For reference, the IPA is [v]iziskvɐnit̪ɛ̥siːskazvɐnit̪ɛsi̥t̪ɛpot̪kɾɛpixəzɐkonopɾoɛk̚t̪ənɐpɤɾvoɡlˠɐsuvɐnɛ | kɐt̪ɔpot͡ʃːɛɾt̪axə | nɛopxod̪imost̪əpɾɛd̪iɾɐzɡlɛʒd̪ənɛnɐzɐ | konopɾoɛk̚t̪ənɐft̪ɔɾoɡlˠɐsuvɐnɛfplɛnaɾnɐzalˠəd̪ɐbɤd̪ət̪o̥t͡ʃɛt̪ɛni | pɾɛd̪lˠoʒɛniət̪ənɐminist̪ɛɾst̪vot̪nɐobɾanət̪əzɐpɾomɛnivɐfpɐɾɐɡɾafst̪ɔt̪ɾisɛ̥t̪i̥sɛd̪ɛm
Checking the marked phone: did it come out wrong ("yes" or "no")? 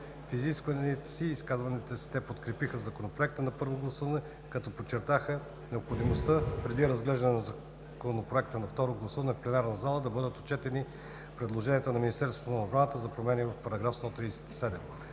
yes